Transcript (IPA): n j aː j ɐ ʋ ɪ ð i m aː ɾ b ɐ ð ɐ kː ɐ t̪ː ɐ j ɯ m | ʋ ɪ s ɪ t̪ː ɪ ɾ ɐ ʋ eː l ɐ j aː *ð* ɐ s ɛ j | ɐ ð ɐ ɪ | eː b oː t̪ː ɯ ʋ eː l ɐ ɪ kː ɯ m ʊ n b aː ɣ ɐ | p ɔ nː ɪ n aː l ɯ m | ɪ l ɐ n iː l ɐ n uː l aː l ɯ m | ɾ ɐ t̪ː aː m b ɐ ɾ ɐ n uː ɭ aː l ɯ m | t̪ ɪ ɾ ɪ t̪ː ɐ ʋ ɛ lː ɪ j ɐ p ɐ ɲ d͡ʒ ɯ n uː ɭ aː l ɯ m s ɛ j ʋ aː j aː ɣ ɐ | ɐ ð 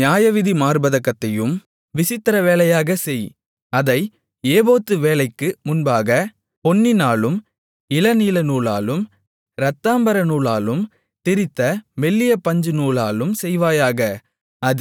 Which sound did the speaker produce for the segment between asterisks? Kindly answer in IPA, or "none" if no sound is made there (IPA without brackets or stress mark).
ɣ